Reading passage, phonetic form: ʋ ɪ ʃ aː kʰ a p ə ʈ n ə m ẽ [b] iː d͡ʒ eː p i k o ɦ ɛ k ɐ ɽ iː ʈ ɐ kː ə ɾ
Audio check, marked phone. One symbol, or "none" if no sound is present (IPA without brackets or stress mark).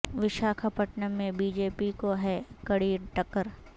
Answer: b